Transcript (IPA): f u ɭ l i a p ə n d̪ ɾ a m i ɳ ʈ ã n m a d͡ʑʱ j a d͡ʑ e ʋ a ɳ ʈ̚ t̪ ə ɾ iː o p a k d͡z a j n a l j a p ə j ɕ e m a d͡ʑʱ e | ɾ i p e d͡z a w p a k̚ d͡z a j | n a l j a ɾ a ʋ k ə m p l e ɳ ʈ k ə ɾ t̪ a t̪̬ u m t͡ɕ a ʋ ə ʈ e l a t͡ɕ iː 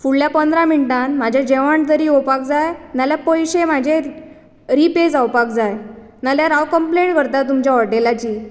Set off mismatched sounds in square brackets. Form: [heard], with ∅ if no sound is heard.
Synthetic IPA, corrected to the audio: f u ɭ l [j] a p ə n d̪ ɾ a m i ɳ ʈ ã n m a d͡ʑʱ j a d͡ʑ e ʋ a ɳ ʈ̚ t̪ ə ɾ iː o p a k d͡z a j n a l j a p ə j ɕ e m a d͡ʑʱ e | ɾ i p e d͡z a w p a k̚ d͡z a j | n a l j a ɾ a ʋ k ə m p l e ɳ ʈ k ə ɾ t̪ a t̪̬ u m t͡ɕ a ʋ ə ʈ e l a t͡ɕ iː